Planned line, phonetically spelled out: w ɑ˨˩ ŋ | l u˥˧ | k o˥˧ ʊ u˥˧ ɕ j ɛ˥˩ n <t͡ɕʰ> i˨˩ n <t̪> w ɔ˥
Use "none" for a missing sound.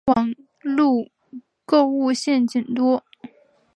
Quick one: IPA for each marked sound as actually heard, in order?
t͡ɕ, t̪

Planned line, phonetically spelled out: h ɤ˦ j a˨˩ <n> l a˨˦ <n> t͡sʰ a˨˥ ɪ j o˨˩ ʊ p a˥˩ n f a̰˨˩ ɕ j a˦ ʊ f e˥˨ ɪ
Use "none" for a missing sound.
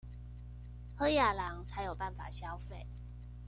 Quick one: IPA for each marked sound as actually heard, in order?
none, ŋ

